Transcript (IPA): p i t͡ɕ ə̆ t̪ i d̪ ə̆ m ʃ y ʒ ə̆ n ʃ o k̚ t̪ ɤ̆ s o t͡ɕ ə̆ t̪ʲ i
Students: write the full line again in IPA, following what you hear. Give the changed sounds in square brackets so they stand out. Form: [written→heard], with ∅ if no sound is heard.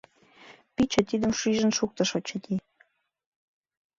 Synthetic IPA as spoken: p i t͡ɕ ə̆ t̪ i d̪ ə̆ m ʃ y ʒ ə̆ n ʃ [o→u] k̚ t̪ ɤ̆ [s→ʃ] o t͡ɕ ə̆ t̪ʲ i